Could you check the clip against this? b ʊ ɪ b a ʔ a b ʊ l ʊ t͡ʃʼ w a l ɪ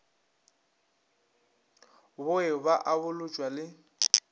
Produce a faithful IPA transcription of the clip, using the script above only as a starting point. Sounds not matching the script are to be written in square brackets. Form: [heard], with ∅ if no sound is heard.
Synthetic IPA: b ʊ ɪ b a ʔ a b ʊ l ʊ t͡ʃʼ w a l ɪ